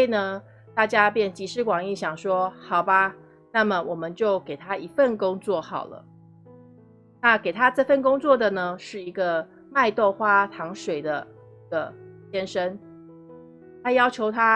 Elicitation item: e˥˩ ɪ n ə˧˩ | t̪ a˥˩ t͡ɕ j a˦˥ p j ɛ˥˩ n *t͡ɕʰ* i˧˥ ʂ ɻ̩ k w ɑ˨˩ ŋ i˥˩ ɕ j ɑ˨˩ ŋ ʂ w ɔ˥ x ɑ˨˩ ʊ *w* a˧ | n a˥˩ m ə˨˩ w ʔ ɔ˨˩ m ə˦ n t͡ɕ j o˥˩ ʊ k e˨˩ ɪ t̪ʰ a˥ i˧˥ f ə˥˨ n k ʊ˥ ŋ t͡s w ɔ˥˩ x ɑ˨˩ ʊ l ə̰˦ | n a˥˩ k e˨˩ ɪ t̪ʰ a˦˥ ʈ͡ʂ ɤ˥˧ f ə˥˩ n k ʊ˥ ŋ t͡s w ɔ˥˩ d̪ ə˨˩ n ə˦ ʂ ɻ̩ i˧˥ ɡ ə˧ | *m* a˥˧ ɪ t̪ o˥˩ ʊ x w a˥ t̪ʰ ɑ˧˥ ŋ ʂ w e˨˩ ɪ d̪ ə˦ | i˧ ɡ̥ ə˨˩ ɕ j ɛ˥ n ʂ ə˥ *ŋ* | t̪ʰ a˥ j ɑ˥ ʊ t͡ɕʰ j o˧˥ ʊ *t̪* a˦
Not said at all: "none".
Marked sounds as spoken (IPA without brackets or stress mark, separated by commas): t͡ɕ, b, m, n, t̪ʰ